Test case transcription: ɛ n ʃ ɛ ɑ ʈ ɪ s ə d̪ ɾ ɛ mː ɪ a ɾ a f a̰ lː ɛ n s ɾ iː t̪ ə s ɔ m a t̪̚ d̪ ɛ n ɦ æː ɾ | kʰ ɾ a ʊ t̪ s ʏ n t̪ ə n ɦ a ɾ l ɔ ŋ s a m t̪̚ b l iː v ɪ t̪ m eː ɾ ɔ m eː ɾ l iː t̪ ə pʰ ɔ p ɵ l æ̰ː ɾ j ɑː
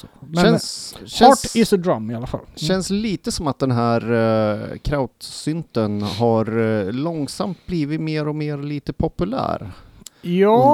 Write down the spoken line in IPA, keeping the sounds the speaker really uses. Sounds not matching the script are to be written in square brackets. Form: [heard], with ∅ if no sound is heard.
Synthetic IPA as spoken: ɛ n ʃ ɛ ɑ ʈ ɪ s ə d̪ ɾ [a] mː ɪ a [l] a f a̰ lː ɛ n s [l] iː t̪ ə s ɔ m a t̪̚ d̪ ɛ n ɦ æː ɾ | kʰ ɾ a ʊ t̪ s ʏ n t̪ ə n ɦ a ɾ l ɔ ŋ s a m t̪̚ b l iː v ɪ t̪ m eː ɾ ɔ m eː ɾ l iː t̪ ə pʰ ɔ p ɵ l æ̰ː ɾ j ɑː